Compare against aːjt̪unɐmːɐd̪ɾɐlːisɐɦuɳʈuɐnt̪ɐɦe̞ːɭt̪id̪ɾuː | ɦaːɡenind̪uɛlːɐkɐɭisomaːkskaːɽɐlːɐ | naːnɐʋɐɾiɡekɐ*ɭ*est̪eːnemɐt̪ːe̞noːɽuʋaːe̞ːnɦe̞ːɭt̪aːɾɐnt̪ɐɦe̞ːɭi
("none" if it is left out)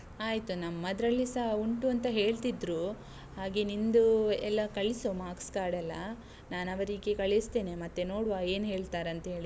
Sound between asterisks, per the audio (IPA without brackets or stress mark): ɭ